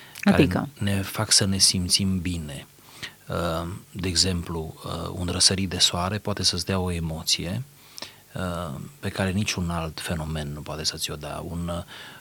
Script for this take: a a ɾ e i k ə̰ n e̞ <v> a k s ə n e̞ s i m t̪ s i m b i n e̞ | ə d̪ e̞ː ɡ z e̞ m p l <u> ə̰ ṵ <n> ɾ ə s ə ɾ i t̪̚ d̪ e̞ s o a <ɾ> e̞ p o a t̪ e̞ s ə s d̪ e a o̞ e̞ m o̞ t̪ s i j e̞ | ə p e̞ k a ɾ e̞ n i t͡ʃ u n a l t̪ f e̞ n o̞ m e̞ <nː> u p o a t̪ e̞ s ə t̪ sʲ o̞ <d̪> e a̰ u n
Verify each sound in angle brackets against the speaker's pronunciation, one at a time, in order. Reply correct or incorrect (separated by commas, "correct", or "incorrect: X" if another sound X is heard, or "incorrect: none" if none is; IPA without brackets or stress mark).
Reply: incorrect: f, correct, correct, correct, correct, correct